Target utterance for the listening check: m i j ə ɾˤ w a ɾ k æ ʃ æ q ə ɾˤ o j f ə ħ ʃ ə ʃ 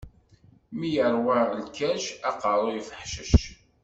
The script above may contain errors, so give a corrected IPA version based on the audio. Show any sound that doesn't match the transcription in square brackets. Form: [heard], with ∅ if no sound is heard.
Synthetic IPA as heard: m i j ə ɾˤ w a [l] k æ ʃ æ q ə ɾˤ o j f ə ħ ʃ ə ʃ